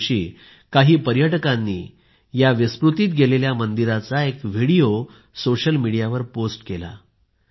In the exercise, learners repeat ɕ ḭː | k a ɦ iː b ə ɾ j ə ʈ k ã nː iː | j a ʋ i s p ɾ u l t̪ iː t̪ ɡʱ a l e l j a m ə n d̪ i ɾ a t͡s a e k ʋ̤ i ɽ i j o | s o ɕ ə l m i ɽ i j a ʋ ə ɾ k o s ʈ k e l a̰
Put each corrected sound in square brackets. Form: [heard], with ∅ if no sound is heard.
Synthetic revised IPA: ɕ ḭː | k a ɦ iː [p] ə ɾ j ə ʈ k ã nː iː | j a ʋ i s p ɾ u [∅] t̪ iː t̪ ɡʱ [e] l e l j a m ə n d̪ i ɾ a t͡s a e k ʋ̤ i ɽ i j o | s o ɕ ə l m i ɽ i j a ʋ ə ɾ [p] o s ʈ k e l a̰